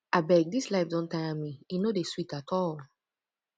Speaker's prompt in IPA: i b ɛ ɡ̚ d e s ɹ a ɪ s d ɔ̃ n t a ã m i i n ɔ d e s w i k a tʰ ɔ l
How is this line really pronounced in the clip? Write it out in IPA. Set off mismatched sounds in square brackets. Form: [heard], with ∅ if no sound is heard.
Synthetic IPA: [a] b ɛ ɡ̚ d [i] s [l] a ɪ [f] d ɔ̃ n t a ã m i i n [o] d e s w i [t] a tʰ ɔ l